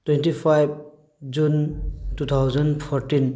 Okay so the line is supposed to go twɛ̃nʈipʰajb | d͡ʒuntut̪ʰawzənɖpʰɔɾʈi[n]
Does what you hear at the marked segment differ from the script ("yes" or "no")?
no